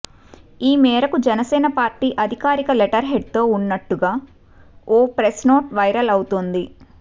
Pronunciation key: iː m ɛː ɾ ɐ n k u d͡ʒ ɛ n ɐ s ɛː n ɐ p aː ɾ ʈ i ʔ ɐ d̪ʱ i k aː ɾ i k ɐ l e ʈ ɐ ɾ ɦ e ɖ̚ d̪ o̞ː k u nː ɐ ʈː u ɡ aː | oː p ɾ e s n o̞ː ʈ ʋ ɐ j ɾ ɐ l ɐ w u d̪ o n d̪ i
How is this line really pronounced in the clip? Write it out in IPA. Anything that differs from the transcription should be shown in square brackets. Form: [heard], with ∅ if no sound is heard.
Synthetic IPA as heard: iː m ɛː ɾ ɐ [∅] k u d͡ʒ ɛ n ɐ s ɛː n ɐ p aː ɾ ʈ [iː] ʔ ɐ d̪ʱ i k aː ɾ i k ɐ l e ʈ ɐ ɾ ɦ e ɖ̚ [t̪] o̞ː [∅] u nː ɐ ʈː u ɡ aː | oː p ɾ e s n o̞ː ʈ ʋ ɐ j ɾ ɐ l ɐ w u [t̪] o n d̪ i